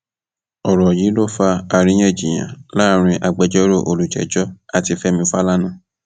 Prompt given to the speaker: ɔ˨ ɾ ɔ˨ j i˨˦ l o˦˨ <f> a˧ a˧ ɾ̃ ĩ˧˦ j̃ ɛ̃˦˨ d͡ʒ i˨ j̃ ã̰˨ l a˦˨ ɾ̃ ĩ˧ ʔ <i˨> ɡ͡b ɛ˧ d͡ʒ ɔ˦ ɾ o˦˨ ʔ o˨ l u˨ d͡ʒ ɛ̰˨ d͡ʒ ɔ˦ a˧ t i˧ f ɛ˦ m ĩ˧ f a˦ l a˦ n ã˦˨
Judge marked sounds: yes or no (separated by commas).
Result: yes, no